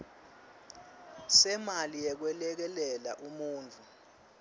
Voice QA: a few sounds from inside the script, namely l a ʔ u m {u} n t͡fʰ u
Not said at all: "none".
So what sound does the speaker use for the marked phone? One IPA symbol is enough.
uː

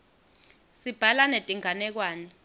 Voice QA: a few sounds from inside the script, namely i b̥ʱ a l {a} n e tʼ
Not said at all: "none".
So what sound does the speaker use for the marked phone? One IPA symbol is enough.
a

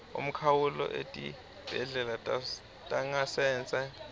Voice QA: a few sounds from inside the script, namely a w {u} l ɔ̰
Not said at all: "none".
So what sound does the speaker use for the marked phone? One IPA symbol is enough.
u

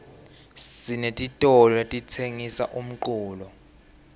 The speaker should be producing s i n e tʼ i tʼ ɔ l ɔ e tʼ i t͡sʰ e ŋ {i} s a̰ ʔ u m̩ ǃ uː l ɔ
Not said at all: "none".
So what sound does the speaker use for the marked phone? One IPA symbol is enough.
i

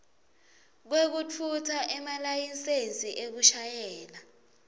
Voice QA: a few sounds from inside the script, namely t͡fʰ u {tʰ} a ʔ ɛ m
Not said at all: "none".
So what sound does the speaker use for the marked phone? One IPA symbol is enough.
tʰ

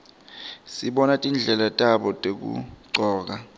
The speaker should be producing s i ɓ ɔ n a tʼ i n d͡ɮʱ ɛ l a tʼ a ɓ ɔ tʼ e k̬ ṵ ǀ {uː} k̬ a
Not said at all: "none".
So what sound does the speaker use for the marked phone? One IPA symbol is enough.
ɔː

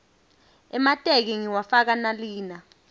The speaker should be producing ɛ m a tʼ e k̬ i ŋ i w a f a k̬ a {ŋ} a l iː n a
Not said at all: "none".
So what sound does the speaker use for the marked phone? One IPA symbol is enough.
n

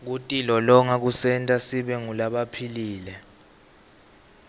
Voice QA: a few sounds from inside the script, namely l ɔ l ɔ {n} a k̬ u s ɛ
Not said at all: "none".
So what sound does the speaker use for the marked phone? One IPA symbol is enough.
ŋ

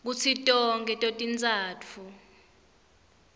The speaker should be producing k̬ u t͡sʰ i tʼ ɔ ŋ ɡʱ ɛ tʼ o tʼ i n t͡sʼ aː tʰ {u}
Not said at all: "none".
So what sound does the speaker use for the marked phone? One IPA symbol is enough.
u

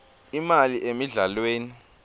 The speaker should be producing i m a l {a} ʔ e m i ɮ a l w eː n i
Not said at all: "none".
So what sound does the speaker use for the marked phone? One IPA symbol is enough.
i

